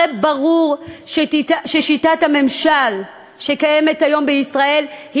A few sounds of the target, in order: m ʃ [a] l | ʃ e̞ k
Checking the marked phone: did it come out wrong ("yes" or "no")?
no